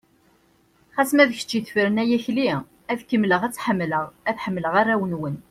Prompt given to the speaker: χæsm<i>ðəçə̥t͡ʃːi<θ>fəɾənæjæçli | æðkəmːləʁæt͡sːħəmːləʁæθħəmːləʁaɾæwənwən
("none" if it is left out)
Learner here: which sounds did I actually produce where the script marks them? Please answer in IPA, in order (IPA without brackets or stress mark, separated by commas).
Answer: æ, θ